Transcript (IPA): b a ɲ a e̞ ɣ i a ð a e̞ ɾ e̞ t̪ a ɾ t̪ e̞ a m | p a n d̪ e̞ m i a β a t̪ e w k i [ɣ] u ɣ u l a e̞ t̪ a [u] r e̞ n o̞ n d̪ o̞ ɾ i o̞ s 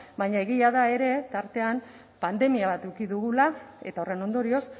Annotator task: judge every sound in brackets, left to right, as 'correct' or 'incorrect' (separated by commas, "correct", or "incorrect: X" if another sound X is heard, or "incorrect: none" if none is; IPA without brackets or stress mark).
incorrect: ð, incorrect: o